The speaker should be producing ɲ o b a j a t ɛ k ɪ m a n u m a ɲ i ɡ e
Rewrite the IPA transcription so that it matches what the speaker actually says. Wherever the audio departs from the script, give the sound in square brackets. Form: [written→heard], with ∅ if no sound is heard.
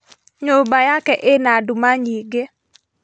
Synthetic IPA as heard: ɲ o b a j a [t→k] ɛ [k→ʔ] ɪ [m→n] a [n→d] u m a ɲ i ɡ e